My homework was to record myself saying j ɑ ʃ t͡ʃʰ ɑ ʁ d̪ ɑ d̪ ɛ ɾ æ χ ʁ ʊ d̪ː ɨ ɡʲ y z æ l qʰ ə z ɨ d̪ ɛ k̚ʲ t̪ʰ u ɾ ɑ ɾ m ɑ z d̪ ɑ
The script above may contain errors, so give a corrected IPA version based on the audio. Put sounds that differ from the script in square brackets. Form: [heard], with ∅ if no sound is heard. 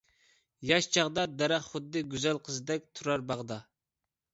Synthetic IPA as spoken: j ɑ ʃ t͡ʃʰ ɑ ʁ d̪ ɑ d̪ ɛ ɾ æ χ [χ] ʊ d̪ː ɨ ɡʲ y z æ l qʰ ə z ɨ d̪ ɛ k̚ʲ t̪ʰ u ɾ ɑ ɾ [b] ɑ [ʁ] d̪ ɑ

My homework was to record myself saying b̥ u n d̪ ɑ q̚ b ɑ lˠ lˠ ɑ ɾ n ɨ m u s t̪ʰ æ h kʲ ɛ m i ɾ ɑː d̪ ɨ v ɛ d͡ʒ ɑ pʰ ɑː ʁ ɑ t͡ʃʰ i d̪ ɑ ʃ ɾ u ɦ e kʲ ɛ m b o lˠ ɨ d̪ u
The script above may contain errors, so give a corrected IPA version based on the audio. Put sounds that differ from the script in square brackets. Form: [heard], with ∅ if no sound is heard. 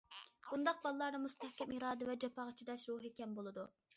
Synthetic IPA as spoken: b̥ u n d̪ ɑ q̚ b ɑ lˠ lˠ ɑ ɾ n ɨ m u s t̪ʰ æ h kʲ ɛ m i ɾ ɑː d̪ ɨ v ɛ d͡ʒ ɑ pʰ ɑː ʁ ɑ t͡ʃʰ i d̪ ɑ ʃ ɾ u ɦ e kʲ ɛ m b o lˠ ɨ d̪ u

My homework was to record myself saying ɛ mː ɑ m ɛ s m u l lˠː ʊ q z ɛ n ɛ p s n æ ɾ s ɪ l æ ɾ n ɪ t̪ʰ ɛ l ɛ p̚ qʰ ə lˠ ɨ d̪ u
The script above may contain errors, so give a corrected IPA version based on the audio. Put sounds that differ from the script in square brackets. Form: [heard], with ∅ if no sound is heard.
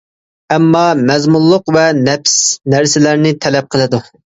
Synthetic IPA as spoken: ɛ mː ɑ m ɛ [z] m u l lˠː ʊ q [v] ɛ n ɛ p s n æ ɾ s ɪ l æ ɾ n ɪ t̪ʰ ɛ l ɛ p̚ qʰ ə lˠ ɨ d̪ u

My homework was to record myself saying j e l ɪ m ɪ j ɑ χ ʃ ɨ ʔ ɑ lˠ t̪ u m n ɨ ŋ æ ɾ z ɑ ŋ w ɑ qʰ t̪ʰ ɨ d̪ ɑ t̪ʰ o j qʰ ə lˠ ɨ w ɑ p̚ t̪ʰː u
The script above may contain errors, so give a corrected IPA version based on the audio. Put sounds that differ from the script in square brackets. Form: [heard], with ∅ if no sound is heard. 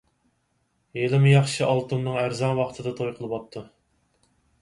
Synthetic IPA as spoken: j e l ɪ m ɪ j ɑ χ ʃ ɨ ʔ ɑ lˠ t̪ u m n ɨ ŋ æ ɾ z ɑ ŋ w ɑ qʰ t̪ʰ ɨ d̪ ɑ t̪ʰ o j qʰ ə lˠ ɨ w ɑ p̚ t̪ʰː u

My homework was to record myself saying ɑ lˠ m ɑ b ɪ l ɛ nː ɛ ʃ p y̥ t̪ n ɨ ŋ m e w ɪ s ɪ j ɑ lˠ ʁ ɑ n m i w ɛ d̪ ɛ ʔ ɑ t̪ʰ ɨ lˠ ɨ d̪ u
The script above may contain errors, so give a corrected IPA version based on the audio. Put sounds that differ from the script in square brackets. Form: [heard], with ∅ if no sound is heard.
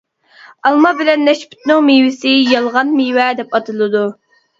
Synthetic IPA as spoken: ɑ lˠ m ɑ b ɪ l ɛ nː ɛ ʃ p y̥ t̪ n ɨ ŋ m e w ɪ s ɪ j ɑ lˠ ʁ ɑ n m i w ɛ d̪ ɛ [p] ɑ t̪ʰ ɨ lˠ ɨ d̪ u

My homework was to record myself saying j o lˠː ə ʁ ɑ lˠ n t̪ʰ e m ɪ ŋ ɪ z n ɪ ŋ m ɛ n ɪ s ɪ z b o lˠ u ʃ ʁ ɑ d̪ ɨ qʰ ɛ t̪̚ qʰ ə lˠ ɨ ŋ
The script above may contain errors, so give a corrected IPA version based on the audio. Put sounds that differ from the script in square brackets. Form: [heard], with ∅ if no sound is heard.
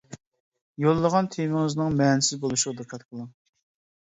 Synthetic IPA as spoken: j o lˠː ə ʁ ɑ [∅] n t̪ʰ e m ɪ ŋ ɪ z n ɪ ŋ m ɛ n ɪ s ɪ z b o lˠ u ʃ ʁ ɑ d̪ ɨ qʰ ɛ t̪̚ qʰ ə lˠ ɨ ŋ

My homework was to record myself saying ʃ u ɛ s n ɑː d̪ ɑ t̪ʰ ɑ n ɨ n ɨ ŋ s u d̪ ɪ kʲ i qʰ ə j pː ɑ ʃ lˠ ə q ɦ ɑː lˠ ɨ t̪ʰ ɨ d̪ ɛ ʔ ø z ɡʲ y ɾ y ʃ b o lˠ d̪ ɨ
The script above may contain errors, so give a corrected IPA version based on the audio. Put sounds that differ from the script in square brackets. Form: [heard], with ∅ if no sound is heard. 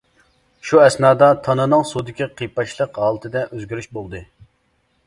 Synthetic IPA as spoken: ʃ u ɛ s n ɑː d̪ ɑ t̪ʰ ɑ n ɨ n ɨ ŋ s u d̪ ɪ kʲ i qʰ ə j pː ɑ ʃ lˠ ə q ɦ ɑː lˠ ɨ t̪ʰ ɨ d̪ ɛ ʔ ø z ɡʲ y ɾ y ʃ b o lˠ d̪ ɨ

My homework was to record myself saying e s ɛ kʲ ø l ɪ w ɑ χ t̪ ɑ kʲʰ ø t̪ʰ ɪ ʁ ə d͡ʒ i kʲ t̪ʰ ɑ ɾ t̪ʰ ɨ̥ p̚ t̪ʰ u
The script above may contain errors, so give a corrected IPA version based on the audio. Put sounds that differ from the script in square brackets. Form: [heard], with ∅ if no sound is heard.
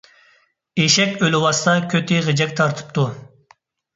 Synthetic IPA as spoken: e [ʃ] ɛ kʲ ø l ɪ w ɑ [s] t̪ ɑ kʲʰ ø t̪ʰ ɪ ʁ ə d͡ʒ [ɛ] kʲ t̪ʰ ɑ ɾ t̪ʰ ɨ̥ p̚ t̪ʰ u

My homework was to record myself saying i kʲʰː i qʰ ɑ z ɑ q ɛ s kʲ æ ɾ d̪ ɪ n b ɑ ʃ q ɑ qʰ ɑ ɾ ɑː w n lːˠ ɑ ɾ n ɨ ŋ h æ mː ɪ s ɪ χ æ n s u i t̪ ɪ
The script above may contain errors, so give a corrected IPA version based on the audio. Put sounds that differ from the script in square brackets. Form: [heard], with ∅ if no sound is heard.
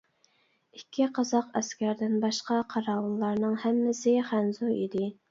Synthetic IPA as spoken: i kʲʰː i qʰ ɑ z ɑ q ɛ s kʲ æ ɾ d̪ ɪ n b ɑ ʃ q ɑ qʰ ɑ ɾ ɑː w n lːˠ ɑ ɾ n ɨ ŋ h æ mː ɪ s ɪ χ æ n [z] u i [d̪] ɪ

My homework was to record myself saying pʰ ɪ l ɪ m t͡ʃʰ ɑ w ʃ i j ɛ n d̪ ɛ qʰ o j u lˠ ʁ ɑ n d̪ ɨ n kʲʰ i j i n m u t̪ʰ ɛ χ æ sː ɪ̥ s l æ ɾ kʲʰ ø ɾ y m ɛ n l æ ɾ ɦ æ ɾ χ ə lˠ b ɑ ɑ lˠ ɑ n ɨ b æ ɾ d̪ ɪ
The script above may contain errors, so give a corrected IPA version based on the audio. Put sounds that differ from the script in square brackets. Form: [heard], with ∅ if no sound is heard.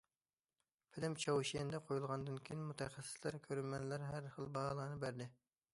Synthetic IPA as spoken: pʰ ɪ l ɪ m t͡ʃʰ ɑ w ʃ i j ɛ n d̪ ɛ qʰ o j u lˠ ʁ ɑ n d̪ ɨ n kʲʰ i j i n m u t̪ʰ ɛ χ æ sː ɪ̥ s l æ ɾ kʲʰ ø ɾ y m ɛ n l æ ɾ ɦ æ ɾ χ ə lˠ b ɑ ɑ lˠ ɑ n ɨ b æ ɾ d̪ ɪ

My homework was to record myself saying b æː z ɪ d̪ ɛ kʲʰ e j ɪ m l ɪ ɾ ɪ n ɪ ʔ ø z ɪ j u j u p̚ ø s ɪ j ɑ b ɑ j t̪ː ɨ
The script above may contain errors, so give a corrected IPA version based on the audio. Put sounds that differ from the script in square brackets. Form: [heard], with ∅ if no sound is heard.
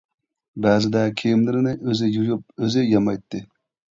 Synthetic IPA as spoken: b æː z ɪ d̪ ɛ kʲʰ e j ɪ m l ɪ ɾ ɪ n ɪ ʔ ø z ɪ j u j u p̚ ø [z] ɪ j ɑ [m] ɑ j t̪ː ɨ

